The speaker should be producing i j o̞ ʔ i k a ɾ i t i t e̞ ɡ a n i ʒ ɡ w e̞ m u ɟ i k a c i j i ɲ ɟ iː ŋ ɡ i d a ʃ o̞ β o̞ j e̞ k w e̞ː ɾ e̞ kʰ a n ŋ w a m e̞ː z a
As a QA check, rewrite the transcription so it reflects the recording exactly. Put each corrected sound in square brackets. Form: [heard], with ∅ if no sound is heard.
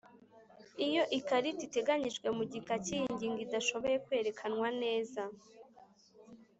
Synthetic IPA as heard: i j o̞ ʔ i k a ɾ i t i t e̞ ɡ a [ɲ] i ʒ ɡ w e̞ m u ɟ i k a c i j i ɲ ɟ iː ŋ ɡ i d a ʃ o̞ β o̞ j e̞ k w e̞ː ɾ e̞ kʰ a n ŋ w a [n] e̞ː z a